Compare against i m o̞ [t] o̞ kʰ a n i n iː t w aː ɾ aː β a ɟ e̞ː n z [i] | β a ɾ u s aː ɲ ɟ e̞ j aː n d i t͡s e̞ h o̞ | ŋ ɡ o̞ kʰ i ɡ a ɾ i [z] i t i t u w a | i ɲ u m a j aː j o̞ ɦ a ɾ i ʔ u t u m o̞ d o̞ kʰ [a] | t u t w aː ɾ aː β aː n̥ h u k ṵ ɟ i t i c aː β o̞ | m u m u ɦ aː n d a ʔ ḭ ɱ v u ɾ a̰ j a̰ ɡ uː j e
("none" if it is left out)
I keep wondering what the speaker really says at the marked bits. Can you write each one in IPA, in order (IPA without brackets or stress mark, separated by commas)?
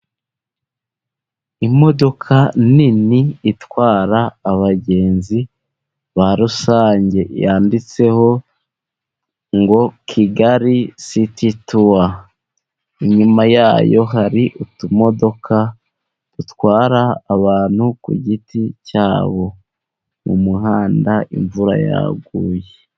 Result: d, i, s, a